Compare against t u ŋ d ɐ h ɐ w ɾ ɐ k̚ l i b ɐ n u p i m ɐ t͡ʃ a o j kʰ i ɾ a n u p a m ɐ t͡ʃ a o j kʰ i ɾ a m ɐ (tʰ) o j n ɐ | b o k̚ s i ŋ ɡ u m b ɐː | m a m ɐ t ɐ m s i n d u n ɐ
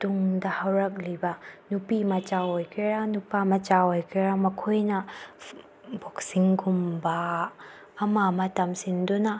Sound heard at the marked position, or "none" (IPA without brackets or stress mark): kʰ